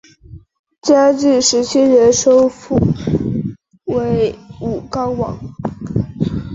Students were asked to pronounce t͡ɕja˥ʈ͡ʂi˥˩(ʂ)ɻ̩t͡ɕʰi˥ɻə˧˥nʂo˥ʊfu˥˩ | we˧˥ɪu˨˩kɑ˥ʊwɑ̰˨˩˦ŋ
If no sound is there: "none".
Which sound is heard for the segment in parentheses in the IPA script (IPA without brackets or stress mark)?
ʂ